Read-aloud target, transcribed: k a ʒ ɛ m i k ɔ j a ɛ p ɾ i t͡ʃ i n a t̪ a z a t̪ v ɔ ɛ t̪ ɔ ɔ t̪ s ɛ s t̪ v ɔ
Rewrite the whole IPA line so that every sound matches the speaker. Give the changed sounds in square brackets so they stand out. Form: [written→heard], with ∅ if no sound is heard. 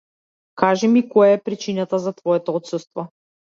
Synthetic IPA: k a ʒ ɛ m i k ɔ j a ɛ p ɾ i t͡ʃ i n a t̪ a z a t̪ v ɔ ɛ t̪ ɔ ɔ t̪ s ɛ s t̪ v ɔ